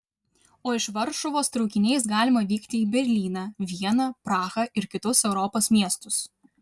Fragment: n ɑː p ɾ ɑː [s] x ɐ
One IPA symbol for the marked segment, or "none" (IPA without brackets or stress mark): none